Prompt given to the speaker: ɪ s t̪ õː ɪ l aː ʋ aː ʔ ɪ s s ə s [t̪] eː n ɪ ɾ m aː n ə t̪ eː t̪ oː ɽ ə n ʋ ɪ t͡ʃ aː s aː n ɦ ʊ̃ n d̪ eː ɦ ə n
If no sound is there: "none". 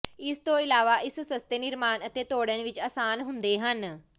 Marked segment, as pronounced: t̪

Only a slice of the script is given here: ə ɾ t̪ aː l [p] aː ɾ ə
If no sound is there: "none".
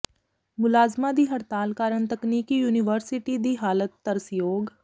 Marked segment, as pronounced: k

